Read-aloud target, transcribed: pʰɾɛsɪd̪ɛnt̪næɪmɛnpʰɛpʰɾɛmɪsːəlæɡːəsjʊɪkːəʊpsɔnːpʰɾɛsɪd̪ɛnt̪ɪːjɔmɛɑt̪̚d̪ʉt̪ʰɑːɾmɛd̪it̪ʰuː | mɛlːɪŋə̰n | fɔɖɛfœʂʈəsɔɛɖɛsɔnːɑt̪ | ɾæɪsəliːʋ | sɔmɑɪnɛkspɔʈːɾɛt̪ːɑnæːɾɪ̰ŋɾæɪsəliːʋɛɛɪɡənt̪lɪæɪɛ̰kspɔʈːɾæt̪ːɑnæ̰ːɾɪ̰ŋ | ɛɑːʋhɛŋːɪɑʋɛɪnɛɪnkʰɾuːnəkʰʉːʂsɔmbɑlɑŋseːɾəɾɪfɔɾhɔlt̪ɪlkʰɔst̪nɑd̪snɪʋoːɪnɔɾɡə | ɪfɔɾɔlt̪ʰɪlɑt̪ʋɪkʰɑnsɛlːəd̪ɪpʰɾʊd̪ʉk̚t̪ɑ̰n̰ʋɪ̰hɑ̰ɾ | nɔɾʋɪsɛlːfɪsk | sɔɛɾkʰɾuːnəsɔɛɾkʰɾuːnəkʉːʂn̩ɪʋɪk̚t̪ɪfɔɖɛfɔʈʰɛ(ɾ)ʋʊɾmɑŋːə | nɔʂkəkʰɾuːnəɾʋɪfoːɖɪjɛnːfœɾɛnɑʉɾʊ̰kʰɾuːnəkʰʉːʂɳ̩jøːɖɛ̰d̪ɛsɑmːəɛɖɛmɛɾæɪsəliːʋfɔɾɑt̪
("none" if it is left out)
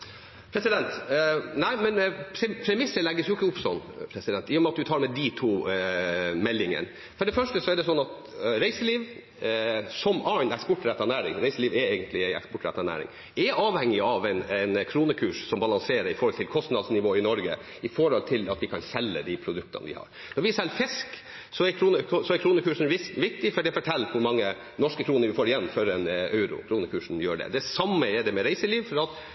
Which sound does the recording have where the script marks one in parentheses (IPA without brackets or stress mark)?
l